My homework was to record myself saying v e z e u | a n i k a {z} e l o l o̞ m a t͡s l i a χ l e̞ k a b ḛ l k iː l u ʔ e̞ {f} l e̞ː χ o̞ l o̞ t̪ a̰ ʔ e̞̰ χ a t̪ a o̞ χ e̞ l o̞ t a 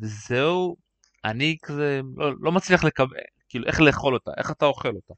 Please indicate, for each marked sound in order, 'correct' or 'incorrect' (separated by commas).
correct, incorrect